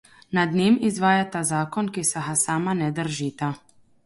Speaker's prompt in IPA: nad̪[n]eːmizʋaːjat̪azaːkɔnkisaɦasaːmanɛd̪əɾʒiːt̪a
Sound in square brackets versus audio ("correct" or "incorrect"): correct